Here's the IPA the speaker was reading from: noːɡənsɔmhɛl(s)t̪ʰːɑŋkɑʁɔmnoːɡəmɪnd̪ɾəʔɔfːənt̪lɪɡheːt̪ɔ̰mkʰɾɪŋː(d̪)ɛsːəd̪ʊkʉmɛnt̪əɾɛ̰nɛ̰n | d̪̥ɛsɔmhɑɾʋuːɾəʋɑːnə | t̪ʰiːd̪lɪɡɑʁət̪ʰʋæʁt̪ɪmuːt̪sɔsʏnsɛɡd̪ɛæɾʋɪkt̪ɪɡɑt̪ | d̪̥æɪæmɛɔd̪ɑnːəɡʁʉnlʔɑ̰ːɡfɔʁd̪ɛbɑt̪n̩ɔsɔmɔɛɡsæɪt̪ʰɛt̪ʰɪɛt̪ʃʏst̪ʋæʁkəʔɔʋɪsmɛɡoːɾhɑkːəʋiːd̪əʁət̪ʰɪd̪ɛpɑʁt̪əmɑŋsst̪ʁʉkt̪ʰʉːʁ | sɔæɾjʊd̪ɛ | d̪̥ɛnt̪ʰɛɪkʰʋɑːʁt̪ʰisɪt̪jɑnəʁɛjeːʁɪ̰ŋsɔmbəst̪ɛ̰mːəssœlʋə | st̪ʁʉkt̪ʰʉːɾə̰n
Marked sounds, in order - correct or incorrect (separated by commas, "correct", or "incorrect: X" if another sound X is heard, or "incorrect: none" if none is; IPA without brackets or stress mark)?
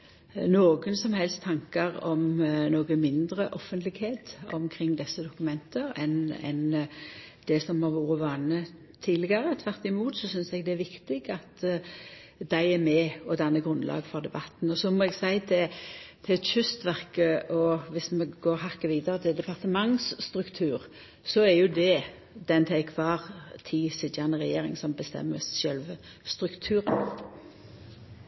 correct, correct